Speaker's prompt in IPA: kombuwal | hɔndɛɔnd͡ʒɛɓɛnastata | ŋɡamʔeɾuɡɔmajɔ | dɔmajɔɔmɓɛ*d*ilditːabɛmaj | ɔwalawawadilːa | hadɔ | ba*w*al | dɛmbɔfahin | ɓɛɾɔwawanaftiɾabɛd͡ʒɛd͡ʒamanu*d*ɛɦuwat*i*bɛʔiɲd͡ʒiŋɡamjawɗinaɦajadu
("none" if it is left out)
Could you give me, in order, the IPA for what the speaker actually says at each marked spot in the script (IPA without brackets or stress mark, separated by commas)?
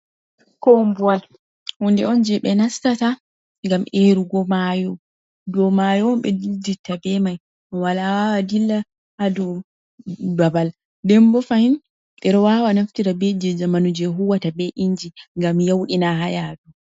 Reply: d, b, d͡ʒ, a